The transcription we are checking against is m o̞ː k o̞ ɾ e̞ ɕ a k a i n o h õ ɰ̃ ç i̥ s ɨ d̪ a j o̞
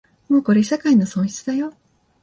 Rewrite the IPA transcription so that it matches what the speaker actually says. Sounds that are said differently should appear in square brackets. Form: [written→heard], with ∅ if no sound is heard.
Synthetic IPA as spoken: m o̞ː k o̞ ɾ e̞ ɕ a k a i n o [h→s] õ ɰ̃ ç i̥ [s→t͡s] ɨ d̪ a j o̞